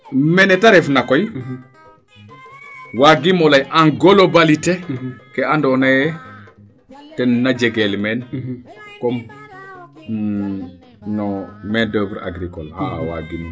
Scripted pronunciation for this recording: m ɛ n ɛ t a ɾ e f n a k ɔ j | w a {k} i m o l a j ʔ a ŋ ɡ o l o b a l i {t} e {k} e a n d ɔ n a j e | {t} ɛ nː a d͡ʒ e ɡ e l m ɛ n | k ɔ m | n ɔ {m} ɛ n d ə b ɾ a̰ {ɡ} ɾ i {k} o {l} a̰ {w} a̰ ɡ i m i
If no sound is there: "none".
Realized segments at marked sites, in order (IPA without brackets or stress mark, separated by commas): ɡ, t, k, t, m, ɡ, k, l, w